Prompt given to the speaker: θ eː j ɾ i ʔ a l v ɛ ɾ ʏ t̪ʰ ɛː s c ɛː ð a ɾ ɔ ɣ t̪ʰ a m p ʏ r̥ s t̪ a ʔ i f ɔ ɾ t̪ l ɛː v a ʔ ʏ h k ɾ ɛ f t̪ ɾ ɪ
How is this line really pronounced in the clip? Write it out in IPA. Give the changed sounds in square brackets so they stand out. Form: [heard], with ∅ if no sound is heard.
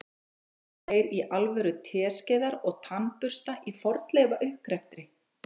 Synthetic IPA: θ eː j ɾ i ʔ a l v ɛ ɾ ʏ t̪ʰ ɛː s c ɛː ð a ɾ ɔ ɣ t̪ʰ a [n] p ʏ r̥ s t̪ a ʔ i f ɔ ɾ t̪ l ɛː v a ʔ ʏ h k ɾ ɛ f t̪ ɾ ɪ